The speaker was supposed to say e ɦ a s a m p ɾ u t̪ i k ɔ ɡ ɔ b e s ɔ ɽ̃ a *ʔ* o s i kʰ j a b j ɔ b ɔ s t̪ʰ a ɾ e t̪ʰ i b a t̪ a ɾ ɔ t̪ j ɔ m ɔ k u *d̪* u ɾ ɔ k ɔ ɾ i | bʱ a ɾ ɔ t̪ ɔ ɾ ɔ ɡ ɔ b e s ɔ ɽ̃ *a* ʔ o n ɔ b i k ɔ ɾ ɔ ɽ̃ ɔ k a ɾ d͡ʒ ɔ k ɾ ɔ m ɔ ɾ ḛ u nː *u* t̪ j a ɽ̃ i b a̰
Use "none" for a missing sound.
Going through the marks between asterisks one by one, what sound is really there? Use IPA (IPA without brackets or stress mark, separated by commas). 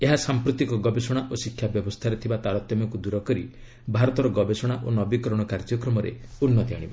ʔ, d̪, a, ɔ